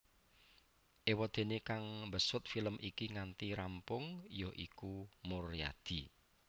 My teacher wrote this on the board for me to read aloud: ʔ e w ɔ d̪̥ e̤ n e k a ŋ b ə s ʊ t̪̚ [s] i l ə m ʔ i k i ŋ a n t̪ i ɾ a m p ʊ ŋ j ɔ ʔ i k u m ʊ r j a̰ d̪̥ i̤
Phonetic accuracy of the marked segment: incorrect: f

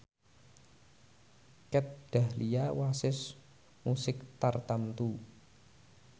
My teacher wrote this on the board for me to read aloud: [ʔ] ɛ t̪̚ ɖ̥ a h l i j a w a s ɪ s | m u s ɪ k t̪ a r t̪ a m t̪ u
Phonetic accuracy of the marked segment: incorrect: k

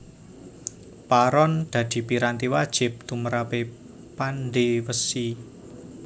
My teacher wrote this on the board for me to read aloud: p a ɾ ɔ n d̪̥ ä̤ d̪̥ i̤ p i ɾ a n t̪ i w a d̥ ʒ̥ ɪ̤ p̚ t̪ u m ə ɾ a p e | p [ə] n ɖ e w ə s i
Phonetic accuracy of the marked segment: incorrect: a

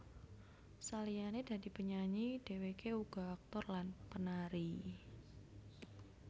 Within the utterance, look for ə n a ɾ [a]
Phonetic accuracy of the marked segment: incorrect: i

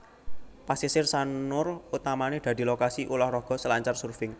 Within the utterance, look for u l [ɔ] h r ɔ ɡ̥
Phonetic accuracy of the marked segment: correct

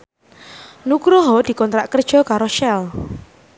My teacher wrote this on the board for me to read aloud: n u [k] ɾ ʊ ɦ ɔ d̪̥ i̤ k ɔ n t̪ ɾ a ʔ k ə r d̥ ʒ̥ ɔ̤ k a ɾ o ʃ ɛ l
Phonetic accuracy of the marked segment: correct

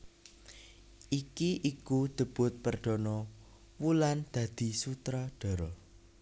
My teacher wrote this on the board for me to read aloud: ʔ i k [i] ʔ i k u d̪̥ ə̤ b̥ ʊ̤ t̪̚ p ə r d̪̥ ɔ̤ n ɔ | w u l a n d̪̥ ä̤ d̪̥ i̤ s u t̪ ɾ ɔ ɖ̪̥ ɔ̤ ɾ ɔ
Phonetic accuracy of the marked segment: correct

